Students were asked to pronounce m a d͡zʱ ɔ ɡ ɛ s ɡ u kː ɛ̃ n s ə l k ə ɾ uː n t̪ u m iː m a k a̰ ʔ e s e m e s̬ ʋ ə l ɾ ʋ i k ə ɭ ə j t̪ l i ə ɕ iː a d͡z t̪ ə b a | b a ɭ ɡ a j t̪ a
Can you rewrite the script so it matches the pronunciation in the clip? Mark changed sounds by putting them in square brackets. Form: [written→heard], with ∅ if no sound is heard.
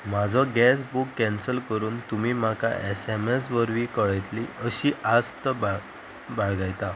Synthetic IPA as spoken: m a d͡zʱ ɔ ɡ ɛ s [ɡ→b] u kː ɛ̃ n s ə l k ə ɾ uː n t̪ u m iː m a k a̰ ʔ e s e m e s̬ ʋ ə [l→∅] ɾ ʋ i k ə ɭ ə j t̪ l i ə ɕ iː a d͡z t̪ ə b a | b a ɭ ɡ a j t̪ a